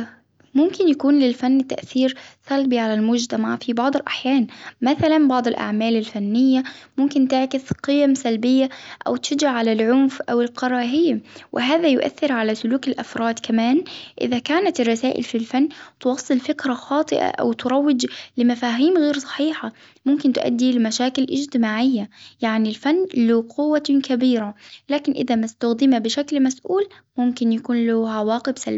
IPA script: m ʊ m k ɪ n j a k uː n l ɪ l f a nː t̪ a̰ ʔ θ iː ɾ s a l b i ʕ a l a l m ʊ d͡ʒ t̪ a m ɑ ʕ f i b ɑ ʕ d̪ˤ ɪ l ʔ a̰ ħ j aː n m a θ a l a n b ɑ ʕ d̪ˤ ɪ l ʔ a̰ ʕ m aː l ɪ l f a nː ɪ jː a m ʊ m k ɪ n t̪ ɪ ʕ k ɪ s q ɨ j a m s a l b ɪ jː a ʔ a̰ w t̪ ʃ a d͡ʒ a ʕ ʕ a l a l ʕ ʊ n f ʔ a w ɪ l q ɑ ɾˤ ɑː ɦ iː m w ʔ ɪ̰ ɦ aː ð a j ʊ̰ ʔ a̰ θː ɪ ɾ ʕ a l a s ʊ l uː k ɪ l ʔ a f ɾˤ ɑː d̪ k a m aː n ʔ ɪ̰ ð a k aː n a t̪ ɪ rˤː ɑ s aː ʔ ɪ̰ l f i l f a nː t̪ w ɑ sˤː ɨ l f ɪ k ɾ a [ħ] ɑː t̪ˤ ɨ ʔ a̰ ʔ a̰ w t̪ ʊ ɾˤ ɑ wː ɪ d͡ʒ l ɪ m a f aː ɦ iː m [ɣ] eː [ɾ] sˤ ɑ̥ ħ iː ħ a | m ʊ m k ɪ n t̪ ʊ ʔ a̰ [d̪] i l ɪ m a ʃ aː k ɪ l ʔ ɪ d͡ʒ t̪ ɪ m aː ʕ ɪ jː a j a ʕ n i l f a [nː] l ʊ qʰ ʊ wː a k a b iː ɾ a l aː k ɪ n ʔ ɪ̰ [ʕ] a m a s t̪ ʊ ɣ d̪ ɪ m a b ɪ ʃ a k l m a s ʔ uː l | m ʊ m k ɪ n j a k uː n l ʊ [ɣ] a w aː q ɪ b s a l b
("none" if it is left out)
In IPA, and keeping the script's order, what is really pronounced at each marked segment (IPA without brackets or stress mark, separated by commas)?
x, ɣ, ɾ, d̪ː, nː, ð, ʕ